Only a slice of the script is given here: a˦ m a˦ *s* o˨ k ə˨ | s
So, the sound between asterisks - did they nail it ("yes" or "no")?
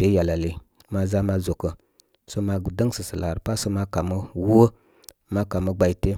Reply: no